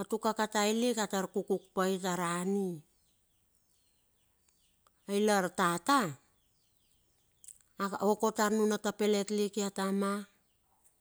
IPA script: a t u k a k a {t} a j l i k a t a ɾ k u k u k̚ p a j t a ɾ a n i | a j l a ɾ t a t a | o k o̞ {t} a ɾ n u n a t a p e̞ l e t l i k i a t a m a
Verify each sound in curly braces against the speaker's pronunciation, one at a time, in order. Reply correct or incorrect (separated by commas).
correct, correct